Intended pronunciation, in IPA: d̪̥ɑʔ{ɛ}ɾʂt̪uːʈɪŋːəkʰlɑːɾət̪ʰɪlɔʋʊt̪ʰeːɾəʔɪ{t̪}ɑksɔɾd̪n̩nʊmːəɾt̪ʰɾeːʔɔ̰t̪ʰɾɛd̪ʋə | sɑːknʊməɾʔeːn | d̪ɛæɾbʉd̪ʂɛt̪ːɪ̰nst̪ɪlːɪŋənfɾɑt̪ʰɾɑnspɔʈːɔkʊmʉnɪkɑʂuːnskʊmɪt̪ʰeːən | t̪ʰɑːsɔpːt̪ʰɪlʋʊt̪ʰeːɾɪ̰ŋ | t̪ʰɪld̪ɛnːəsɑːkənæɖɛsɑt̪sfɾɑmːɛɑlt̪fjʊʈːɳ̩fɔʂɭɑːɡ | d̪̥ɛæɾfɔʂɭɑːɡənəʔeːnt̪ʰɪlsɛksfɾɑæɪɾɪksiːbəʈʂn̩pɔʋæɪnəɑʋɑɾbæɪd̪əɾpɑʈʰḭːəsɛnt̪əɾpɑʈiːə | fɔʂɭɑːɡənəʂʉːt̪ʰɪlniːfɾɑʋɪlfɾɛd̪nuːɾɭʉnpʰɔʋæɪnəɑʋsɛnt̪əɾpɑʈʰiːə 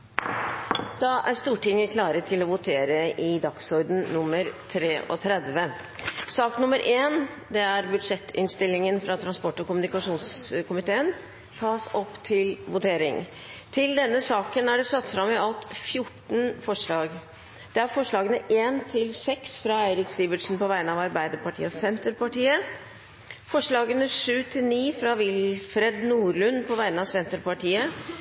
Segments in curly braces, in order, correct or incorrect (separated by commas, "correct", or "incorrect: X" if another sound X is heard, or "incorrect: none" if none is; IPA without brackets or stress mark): incorrect: æ, incorrect: d̪